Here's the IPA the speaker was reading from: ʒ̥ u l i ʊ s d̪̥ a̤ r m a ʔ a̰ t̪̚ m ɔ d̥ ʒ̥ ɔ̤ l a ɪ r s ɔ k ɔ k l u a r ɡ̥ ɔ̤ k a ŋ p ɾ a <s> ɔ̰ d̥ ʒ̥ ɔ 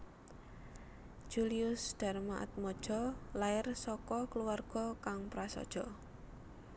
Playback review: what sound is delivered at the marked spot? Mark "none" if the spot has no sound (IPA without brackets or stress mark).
s